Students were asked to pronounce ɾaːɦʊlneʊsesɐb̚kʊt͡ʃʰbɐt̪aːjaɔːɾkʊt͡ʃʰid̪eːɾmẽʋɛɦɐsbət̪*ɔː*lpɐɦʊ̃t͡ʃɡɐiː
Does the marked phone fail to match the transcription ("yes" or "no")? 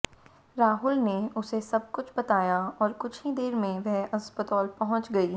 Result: no